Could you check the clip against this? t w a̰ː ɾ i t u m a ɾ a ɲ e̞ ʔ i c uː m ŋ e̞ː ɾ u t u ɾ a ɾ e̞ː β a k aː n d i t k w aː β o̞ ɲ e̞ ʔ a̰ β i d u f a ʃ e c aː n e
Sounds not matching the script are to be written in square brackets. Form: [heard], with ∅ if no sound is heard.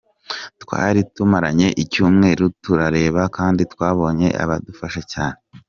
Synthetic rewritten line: t w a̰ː ɾ i t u m a ɾ a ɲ e̞ ʔ i c uː m ŋ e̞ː ɾ u t u ɾ a ɾ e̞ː β a k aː n d i t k w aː β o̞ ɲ e̞ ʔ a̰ β [a] d u f a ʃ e c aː n e